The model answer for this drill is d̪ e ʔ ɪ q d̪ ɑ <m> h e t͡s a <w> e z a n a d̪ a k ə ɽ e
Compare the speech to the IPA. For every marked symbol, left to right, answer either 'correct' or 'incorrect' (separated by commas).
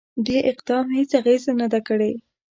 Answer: correct, incorrect